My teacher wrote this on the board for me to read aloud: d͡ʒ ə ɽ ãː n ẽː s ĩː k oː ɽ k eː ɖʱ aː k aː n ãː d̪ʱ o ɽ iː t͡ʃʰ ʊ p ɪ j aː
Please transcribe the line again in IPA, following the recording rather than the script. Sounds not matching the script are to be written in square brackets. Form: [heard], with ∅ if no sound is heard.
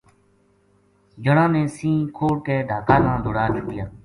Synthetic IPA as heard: d͡ʒ ə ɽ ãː n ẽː s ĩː [kʰ] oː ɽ k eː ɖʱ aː k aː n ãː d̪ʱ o ɽ [aː] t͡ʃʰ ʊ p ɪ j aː